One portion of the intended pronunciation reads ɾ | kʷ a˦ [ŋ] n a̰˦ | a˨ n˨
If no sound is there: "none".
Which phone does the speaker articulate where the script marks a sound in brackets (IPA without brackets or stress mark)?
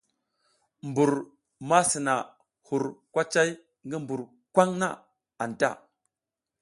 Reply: ŋ